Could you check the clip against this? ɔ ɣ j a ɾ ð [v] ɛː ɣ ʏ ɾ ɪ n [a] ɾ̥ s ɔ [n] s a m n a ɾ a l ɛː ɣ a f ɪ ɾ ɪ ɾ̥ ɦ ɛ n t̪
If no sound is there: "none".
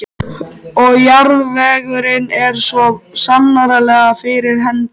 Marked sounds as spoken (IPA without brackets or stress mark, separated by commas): v, ɛ, none